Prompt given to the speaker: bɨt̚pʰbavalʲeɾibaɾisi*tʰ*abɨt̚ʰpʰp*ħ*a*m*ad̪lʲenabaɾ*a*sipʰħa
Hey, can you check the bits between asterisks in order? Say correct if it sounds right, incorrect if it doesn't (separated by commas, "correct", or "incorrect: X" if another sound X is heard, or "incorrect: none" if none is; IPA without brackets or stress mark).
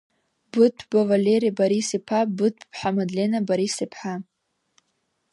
incorrect: pʰ, correct, correct, incorrect: i